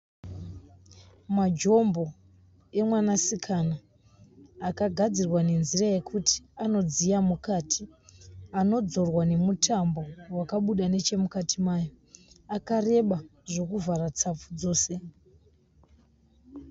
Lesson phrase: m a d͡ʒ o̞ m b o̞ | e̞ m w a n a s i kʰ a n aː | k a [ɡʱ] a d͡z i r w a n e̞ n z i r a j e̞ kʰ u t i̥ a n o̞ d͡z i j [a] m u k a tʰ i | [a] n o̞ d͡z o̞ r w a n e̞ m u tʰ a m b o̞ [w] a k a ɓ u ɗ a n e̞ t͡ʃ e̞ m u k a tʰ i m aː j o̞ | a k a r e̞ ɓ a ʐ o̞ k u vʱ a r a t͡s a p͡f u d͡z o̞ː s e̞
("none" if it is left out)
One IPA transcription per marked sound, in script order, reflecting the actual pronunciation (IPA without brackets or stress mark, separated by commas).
ɡʱ, a, a, w